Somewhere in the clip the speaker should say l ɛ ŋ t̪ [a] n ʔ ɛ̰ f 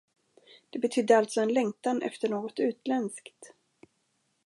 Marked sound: correct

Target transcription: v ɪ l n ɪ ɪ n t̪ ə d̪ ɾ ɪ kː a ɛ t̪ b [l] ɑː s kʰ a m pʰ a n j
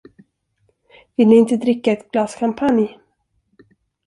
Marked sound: correct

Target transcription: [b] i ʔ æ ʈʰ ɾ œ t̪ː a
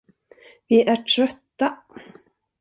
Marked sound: incorrect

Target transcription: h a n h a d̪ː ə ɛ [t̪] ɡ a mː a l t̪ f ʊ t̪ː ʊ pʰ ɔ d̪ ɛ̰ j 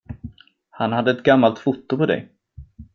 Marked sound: correct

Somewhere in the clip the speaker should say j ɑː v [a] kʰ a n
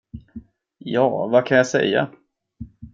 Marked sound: correct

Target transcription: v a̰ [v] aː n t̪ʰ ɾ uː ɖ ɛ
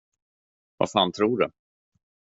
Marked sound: incorrect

